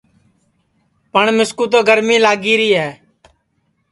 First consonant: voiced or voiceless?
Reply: voiceless